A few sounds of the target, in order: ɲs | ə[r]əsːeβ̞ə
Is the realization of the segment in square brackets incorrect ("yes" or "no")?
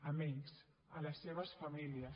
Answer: yes